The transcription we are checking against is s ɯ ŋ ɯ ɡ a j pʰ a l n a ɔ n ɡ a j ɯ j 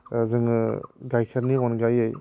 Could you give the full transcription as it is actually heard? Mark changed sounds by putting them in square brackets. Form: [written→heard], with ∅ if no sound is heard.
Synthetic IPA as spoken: [s→z] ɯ ŋ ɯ ɡ a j [pʰ→kʰ] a [l→ɾ] n [a→i] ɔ n ɡ a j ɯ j